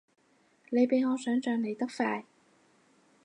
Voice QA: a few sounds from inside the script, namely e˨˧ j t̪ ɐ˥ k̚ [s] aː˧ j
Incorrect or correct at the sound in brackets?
incorrect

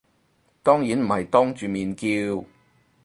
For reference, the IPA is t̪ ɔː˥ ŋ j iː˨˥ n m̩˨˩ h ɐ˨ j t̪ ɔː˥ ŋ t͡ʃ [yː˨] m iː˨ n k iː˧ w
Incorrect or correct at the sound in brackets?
correct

